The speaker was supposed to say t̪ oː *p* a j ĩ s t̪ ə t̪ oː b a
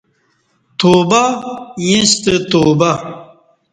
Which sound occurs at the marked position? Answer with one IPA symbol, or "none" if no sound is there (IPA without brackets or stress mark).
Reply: b